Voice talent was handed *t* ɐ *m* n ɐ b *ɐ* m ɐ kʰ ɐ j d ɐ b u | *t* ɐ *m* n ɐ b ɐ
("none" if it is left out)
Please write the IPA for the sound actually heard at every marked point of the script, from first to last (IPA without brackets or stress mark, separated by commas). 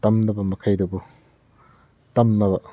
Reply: t, m, ɐ, t, m